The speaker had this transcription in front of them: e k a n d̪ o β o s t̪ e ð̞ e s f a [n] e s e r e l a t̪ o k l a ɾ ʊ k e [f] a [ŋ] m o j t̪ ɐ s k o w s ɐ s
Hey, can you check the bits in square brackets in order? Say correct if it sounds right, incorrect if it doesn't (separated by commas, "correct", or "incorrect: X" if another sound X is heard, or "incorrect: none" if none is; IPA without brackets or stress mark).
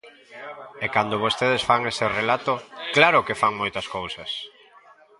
incorrect: ŋ, correct, correct